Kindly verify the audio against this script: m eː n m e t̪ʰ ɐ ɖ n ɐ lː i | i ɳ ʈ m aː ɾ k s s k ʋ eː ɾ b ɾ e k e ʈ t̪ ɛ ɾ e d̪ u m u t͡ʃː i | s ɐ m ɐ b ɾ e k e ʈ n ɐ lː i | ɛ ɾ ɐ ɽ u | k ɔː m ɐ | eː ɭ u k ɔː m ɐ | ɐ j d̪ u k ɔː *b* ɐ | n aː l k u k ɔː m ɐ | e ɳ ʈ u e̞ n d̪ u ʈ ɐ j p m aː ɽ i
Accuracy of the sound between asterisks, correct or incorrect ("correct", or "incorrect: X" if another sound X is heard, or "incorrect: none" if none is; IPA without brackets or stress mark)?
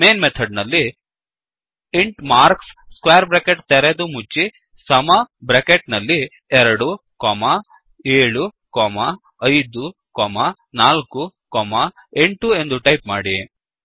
incorrect: m